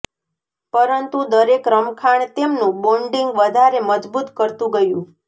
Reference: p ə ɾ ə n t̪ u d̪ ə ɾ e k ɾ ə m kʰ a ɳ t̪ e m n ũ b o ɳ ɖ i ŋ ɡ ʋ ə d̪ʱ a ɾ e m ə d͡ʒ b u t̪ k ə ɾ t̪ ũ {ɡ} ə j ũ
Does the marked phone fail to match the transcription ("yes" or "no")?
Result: no